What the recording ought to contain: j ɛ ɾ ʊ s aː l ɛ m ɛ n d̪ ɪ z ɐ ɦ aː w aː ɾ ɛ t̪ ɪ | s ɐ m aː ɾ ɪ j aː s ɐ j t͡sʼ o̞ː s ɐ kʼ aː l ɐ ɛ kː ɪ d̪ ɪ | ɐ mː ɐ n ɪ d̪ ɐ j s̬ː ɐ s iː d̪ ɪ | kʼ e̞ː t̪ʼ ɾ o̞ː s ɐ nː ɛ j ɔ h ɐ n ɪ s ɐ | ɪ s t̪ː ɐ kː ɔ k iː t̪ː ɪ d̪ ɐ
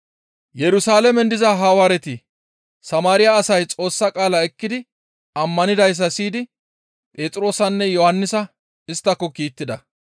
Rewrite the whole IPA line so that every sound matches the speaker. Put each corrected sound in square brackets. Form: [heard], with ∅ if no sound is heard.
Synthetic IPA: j ɛ ɾ ʊ s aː l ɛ m ɛ n d̪ ɪ z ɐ ɦ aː w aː ɾ ɛ t̪ ɪ | s ɐ m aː ɾ ɪ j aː s ɐ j t͡sʼ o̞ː [sː] ɐ kʼ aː l ɐ ɛ kː ɪ d̪ ɪ | ɐ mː ɐ n ɪ d̪ ɐ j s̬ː ɐ s iː d̪ ɪ | [pʼ] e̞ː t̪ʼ ɾ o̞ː s ɐ nː ɛ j ɔ h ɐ [nː] ɪ s ɐ | ɪ s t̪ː ɐ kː ɔ k iː t̪ː ɪ d̪ ɐ